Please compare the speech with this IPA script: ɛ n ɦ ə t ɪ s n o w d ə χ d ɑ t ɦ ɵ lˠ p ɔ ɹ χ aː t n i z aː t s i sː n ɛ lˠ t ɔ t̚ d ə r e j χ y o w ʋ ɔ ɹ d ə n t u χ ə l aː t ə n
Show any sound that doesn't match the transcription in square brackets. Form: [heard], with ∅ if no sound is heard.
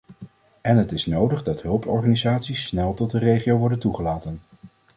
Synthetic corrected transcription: ɛ n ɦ ə t ɪ s n o w d ə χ d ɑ t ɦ ɵ lˠ p ɔ ɹ χ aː [∅] n i z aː t s i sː n ɛ lˠ t ɔ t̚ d ə r e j χ [i] o w ʋ ɔ ɹ d ə n t u χ ə l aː t ə n